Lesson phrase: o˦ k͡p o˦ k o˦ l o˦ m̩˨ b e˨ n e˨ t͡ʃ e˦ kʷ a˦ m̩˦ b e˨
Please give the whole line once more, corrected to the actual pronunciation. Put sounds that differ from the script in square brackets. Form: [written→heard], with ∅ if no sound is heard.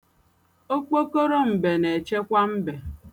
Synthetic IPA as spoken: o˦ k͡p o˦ k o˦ [l→ɾ] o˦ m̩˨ b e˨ n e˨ t͡ʃ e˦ kʷ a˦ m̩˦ b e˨